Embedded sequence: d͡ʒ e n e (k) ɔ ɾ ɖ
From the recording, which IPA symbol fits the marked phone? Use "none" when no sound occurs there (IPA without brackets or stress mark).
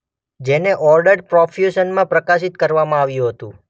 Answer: ʔ